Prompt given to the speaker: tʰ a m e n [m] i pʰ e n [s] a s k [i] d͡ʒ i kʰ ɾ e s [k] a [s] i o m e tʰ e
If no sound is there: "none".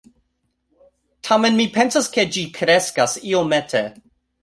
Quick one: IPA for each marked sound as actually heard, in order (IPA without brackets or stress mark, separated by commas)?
m, s, e, k, s